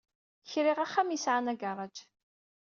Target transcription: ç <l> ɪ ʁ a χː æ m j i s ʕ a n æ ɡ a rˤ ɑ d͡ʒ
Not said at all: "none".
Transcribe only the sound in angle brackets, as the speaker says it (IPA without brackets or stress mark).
ɾ